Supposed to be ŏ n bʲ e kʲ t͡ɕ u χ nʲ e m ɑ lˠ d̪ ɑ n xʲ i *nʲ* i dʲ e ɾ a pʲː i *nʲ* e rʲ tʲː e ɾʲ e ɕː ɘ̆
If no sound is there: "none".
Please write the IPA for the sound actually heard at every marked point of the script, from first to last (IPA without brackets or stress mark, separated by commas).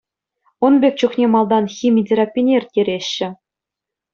mʲ, nʲ